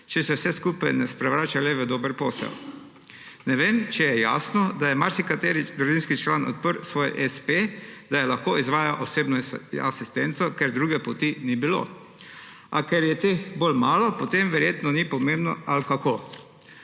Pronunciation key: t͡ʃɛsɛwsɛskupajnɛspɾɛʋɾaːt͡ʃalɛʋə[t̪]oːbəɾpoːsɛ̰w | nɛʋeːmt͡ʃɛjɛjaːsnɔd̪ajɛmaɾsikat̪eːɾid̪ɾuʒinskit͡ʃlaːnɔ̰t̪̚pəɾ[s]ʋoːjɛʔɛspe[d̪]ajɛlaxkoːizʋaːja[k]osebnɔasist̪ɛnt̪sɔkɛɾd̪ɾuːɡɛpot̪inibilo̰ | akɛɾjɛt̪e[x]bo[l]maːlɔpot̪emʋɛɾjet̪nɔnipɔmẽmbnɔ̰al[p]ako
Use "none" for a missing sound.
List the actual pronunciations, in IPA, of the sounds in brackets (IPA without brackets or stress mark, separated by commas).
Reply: d̪, s, d̪, ʔ, x, l, k